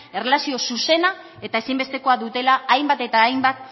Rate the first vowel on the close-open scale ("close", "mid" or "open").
mid